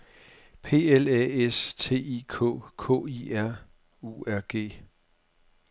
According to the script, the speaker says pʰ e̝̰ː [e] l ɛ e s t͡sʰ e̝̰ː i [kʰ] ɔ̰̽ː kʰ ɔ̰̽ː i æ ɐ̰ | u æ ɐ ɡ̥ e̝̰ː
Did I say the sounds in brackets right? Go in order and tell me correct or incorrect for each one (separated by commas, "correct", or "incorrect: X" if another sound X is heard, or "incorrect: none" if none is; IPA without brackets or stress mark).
correct, correct